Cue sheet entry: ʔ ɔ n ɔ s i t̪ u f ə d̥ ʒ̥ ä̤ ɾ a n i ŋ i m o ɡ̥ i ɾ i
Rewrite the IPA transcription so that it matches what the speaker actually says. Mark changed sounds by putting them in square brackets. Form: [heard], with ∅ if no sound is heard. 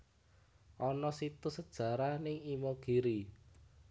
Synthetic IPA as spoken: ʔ ɔ n ɔ s i t̪ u [s] ə d̥ ʒ̥ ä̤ ɾ a n [ɪ] ŋ i m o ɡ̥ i ɾ i